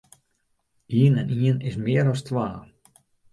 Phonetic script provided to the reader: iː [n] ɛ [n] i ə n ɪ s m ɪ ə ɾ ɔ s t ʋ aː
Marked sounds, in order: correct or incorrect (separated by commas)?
correct, correct